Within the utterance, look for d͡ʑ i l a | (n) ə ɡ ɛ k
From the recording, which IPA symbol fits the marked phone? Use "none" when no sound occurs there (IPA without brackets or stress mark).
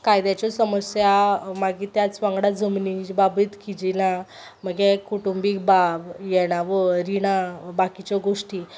m